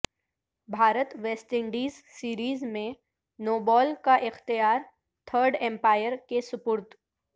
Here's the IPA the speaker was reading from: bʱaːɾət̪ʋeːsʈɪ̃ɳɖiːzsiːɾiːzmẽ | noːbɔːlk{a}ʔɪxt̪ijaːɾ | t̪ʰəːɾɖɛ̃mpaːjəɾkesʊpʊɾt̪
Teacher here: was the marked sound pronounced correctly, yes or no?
yes